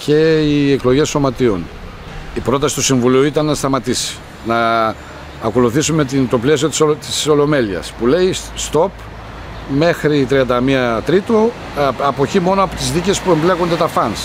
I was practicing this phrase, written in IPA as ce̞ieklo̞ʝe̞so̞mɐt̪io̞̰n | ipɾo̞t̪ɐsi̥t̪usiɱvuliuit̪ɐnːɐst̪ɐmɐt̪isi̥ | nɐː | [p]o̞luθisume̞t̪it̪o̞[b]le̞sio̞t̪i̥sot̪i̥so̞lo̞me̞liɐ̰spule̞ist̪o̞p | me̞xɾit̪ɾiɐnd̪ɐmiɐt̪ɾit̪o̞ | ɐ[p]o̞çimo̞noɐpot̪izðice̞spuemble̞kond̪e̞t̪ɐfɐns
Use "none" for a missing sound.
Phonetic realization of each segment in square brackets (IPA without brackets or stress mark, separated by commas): k, p, p